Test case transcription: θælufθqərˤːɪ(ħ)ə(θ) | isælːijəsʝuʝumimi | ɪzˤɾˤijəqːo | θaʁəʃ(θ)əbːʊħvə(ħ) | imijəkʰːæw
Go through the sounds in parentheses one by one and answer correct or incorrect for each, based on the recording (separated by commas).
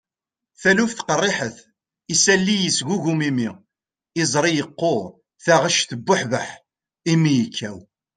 correct, correct, correct, correct